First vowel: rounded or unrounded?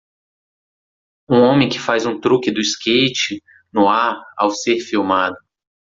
rounded